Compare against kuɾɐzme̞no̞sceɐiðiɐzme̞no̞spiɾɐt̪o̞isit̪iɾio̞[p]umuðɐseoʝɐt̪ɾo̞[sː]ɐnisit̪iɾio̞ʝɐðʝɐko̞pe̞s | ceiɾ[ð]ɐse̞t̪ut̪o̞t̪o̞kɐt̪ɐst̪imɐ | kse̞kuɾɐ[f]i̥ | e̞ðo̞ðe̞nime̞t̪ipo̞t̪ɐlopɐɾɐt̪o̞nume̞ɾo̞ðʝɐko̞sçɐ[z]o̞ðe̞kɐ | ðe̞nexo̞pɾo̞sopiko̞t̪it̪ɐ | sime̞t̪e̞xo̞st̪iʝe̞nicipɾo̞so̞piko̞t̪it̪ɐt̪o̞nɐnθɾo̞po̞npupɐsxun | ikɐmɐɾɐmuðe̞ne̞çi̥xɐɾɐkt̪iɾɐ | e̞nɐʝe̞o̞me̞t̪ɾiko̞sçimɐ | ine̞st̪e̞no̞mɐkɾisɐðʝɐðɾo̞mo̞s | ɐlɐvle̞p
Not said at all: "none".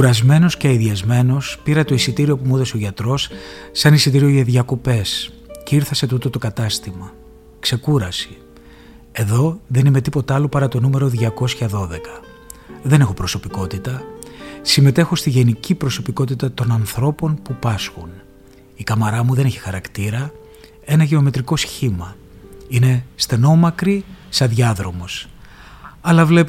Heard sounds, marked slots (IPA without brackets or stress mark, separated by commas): p, sː, θ, s, ð